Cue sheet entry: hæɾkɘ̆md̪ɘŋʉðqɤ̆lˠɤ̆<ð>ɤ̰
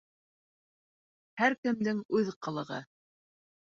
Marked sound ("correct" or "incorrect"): incorrect